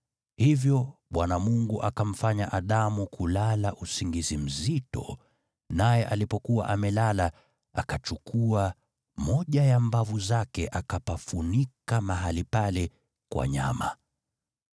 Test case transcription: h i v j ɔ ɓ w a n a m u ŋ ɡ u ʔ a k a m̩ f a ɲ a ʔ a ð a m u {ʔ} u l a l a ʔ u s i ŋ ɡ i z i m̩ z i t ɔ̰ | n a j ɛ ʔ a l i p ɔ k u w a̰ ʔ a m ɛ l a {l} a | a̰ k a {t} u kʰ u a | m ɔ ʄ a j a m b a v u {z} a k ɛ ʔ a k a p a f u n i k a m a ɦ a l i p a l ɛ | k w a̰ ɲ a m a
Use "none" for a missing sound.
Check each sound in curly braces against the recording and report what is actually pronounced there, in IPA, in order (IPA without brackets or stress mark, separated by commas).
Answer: k, l, t͡ʃ, z